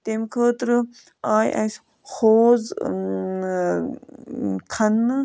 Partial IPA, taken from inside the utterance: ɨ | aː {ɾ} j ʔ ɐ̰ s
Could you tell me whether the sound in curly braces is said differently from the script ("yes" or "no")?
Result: yes